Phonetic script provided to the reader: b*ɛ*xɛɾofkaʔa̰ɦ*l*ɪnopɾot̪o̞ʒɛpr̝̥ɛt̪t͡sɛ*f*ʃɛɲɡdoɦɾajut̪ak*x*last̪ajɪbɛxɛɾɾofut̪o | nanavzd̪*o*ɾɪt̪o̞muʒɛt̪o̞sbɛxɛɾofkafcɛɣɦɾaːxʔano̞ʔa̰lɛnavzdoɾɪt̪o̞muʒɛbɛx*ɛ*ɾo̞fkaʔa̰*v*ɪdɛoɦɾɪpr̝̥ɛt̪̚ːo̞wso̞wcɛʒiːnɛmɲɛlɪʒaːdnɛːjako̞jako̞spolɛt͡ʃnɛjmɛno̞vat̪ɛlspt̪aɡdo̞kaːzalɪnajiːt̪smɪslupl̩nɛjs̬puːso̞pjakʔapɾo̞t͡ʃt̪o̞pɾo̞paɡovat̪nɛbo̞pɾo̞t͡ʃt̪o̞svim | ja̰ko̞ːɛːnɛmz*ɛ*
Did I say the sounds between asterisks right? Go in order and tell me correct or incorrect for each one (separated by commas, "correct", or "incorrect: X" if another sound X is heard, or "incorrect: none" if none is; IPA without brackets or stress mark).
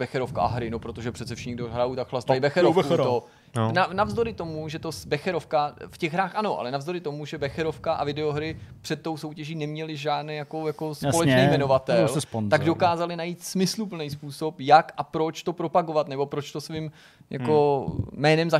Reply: correct, incorrect: ɾ, correct, correct, correct, correct, correct, incorrect: a